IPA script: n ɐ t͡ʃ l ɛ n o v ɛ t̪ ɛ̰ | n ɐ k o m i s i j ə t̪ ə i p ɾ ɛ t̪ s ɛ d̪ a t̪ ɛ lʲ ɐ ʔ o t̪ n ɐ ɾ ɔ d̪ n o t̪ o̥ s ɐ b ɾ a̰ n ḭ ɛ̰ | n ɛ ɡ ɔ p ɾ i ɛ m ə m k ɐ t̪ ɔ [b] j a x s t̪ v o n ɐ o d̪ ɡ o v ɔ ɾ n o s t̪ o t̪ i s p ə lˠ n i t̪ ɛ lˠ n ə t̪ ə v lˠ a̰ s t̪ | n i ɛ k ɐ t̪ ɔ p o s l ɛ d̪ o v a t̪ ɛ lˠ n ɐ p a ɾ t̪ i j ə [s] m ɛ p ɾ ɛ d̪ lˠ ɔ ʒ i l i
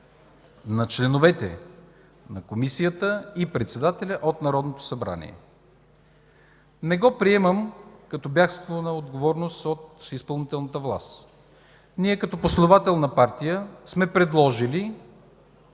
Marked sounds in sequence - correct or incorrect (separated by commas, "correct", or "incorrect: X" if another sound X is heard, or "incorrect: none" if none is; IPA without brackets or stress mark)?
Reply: correct, correct